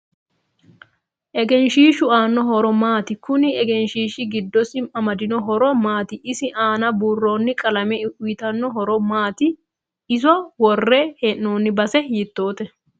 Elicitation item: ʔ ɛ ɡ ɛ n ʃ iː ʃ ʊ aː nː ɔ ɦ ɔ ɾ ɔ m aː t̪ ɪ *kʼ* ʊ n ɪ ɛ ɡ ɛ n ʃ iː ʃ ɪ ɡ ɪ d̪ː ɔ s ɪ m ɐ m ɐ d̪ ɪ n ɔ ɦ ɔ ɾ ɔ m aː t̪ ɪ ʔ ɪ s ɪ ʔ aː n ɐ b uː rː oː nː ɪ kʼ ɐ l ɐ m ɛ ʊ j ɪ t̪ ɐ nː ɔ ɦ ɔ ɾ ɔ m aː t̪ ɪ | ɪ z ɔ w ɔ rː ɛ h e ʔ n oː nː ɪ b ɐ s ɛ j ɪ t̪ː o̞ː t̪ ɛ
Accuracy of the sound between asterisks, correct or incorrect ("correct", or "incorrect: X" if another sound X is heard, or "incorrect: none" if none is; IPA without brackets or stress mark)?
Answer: incorrect: k